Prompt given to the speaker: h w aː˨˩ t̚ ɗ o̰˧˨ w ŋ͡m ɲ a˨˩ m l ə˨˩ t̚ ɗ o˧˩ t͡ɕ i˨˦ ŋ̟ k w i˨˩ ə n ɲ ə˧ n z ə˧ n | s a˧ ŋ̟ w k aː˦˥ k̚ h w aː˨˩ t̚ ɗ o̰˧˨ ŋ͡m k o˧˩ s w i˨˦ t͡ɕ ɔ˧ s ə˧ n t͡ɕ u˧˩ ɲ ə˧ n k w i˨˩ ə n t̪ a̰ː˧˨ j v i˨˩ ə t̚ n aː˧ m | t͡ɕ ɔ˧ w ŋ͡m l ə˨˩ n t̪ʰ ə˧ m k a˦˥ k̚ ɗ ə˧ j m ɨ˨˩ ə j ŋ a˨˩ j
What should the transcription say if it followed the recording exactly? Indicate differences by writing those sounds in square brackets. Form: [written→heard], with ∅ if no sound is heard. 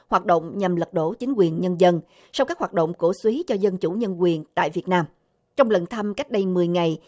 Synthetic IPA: h w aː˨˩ t̚ ɗ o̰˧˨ w ŋ͡m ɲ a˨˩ m l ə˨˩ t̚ ɗ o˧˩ t͡ɕ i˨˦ ŋ̟ k w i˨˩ ə n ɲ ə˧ n z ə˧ n | s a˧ [ŋ̟→∅] w k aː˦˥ k̚ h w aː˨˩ t̚ ɗ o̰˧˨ ŋ͡m k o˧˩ s w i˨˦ t͡ɕ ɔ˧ [s→z] ə˧ n t͡ɕ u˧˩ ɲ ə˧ n k w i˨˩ ə n t̪ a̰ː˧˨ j v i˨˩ ə t̚ n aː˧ m | t͡ɕ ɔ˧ w ŋ͡m l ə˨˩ n t̪ʰ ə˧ m k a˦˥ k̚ ɗ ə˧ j m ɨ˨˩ ə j ŋ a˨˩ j